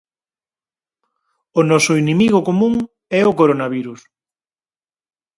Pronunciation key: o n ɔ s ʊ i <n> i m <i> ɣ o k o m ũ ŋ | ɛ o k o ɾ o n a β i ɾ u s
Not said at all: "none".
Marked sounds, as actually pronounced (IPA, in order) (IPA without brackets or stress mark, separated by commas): n, i